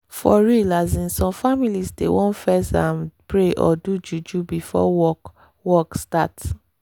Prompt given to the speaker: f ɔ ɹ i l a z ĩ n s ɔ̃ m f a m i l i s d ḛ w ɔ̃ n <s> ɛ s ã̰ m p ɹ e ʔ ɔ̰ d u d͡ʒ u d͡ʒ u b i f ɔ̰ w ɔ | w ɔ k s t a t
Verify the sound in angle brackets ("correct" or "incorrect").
incorrect